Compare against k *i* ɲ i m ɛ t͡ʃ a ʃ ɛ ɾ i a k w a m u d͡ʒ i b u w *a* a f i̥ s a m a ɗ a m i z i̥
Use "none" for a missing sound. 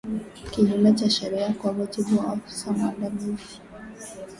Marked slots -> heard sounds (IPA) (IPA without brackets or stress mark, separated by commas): i, a